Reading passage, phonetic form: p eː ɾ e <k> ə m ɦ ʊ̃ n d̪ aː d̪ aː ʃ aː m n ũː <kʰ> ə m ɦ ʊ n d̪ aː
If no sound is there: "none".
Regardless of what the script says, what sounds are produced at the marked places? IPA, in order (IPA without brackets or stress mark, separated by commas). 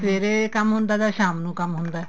k, k